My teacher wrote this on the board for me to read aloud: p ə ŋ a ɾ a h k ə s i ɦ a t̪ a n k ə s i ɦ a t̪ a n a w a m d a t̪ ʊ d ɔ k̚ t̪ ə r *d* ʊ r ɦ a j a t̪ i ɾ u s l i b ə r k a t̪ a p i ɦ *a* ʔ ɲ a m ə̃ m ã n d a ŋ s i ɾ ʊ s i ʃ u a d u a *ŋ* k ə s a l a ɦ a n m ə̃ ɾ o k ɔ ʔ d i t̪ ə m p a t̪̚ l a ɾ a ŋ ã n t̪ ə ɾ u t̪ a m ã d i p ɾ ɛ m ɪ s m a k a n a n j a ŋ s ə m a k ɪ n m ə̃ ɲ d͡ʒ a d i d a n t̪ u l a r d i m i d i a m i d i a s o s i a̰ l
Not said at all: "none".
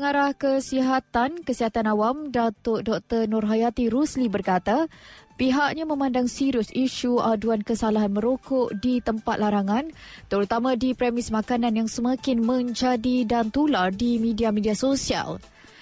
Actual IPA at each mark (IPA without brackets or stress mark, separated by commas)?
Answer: n, a, n